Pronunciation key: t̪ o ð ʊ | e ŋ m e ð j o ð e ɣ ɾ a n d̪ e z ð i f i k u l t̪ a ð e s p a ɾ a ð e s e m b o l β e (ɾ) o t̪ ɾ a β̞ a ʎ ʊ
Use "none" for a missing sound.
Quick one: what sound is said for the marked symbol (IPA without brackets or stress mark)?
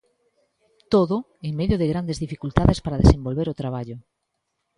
ɾ